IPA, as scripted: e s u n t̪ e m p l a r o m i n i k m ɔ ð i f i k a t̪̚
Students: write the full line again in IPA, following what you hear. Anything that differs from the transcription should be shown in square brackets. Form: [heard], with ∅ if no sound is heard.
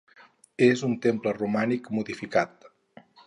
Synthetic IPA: e [z] u n t̪ e m p l [ə] r [u] m [a] n i k m [u] ð i f i k a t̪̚